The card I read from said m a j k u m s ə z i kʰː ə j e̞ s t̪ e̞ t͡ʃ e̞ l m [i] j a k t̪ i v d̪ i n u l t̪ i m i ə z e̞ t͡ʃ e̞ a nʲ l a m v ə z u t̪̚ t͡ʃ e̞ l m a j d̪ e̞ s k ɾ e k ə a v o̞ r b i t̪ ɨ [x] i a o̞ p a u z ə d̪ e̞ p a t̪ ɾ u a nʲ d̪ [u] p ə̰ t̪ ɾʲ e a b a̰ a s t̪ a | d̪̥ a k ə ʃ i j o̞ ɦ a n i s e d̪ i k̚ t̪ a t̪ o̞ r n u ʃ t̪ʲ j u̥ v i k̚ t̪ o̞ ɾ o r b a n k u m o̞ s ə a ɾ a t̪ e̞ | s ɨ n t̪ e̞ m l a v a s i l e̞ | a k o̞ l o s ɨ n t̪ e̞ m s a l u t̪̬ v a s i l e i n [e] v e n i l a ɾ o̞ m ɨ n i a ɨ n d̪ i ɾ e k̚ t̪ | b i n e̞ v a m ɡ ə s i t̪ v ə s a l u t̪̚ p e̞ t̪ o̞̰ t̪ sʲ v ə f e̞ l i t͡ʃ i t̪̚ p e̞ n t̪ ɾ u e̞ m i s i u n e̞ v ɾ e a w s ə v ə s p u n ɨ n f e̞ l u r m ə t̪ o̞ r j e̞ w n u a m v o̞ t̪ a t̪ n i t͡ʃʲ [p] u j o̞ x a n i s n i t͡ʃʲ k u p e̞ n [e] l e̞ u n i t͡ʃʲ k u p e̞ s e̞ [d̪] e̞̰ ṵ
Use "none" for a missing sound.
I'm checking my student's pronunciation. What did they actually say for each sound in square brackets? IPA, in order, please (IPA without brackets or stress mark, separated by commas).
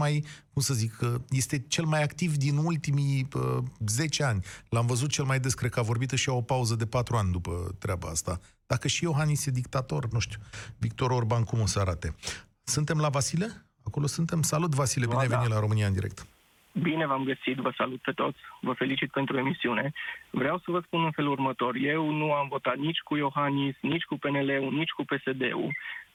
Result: a, ʃ, u, e, k, e, d̪